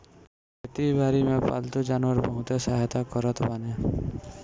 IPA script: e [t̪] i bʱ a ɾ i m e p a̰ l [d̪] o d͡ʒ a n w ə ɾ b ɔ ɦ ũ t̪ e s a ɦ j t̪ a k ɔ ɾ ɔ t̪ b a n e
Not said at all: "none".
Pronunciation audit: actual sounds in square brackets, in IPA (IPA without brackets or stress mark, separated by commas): t̪, t̪